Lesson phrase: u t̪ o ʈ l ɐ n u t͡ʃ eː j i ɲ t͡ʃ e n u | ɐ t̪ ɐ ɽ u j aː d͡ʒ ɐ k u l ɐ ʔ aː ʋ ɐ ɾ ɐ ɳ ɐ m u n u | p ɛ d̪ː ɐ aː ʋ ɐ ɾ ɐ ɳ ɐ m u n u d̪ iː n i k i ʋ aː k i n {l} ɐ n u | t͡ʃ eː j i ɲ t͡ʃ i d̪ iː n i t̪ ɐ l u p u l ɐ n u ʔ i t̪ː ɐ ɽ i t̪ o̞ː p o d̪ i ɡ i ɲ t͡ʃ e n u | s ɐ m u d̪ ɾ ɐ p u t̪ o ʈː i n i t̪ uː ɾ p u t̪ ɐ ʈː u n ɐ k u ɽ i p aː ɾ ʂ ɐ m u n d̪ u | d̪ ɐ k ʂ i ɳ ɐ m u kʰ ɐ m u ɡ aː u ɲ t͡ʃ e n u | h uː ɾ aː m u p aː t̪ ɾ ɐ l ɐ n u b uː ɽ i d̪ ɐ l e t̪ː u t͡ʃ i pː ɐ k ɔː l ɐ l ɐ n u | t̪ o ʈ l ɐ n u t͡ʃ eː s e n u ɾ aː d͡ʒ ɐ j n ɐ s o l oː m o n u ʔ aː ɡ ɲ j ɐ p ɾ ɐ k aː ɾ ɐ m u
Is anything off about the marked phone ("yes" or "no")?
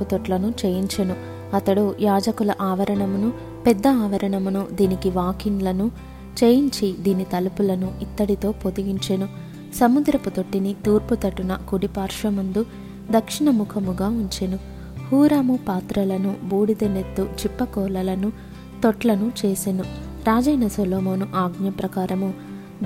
no